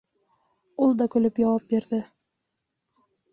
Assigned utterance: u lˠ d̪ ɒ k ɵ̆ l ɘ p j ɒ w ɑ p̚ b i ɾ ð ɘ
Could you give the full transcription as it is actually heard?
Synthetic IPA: u lˠ d̪ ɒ k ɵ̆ l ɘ p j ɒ w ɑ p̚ b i ɾ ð ɘ